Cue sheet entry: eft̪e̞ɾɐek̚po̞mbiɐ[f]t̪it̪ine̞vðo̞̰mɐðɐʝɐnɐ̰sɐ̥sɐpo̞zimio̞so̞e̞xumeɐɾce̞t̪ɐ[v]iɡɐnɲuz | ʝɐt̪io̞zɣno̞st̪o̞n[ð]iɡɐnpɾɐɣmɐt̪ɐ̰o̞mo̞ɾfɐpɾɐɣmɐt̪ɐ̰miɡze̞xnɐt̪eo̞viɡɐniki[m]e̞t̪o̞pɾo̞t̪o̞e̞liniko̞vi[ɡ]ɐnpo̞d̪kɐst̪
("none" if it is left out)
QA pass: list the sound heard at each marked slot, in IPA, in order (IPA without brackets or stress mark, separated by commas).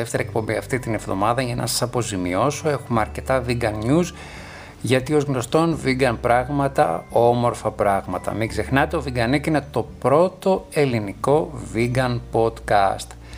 f, v, v, n, ɡ